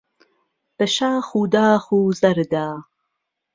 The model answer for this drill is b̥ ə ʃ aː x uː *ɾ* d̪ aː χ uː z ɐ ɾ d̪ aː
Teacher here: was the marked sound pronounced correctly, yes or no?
no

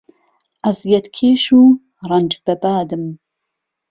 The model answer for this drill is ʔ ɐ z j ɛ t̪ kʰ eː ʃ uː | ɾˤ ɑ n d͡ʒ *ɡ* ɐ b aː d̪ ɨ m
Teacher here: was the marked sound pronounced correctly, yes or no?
no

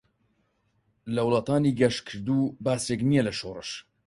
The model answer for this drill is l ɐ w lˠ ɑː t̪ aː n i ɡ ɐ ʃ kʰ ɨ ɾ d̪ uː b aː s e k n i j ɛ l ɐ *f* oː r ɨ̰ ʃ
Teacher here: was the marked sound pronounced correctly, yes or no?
no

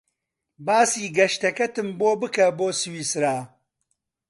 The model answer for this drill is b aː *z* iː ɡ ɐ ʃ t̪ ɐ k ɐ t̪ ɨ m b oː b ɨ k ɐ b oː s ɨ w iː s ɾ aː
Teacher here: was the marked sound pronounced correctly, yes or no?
no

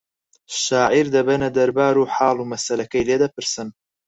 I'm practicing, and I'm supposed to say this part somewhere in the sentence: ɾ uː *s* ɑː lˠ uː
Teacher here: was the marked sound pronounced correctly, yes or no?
no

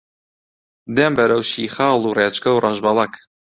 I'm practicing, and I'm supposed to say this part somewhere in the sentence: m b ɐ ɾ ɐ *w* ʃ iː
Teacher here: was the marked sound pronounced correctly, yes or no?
yes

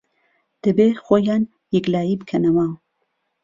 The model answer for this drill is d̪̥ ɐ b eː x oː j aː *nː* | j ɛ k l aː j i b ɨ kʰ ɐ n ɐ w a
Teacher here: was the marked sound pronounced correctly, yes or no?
no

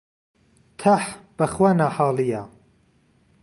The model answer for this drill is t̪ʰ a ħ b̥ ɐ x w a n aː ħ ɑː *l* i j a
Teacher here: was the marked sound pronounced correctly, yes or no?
yes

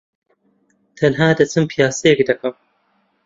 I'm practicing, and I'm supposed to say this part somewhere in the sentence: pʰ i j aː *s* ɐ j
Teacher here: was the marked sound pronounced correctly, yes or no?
yes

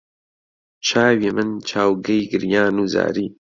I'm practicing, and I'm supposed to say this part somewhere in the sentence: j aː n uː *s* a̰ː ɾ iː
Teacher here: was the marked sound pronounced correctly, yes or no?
no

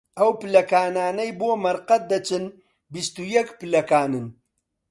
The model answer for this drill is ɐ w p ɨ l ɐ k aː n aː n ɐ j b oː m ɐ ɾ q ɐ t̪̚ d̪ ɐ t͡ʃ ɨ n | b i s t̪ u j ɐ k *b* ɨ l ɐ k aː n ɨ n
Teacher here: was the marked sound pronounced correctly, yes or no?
no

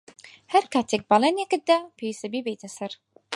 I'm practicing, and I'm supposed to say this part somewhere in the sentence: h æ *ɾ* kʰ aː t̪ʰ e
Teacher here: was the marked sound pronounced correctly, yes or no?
yes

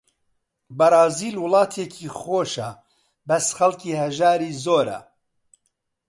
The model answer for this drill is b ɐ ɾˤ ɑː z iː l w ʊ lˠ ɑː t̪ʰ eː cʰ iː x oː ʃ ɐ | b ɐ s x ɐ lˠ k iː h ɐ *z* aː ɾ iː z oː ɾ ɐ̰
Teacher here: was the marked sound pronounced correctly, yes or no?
no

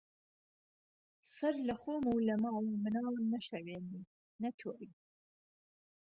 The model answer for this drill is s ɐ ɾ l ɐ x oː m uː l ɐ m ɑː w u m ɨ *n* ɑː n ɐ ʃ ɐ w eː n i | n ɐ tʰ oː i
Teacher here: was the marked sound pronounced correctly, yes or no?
yes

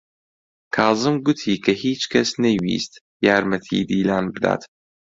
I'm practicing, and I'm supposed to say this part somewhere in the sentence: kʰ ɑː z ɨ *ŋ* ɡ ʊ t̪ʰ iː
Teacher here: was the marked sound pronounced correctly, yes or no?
no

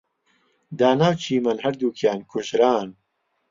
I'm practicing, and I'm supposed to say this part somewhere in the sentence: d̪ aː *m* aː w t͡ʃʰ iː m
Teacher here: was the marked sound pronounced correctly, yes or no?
no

